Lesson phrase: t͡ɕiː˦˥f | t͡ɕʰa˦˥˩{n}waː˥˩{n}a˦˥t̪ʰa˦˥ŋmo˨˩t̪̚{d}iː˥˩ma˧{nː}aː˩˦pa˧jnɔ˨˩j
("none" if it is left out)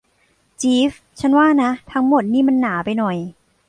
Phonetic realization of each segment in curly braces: n, n, n, nː

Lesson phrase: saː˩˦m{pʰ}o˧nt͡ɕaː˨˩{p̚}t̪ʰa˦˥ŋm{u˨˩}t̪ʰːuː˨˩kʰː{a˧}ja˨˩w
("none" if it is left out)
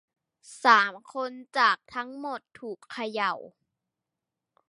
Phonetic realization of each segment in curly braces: kʰ, k̚, o˨˩, a˧

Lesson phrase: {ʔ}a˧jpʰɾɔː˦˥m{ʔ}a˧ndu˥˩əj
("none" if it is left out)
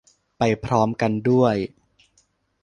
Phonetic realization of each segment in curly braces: p, k

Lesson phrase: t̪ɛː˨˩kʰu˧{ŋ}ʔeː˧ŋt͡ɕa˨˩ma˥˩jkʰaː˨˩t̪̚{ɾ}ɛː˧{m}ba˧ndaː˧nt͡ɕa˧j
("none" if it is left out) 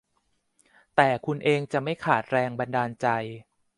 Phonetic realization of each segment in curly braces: n, ɾ, ŋ

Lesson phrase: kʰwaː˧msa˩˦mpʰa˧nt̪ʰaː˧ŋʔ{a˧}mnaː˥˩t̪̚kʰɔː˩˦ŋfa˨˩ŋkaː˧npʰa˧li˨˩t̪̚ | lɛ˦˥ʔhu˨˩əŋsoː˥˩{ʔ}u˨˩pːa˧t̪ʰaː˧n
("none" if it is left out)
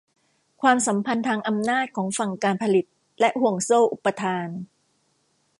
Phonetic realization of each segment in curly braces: a˧, ʔ

